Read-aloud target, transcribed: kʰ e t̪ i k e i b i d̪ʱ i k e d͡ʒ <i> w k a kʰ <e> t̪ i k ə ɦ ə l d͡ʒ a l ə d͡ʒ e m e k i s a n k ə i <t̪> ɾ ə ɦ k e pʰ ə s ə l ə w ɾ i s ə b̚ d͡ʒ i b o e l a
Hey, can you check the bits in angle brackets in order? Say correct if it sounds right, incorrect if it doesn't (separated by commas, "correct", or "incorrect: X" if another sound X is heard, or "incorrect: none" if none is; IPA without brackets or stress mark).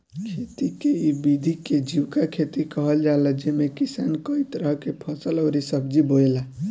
correct, correct, correct